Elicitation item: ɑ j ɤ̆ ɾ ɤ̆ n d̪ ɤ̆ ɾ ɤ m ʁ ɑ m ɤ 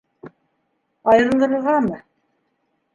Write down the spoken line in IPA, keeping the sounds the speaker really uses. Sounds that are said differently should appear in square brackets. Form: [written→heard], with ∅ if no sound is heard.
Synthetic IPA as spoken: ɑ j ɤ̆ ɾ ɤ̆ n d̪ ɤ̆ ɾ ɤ [m→∅] ʁ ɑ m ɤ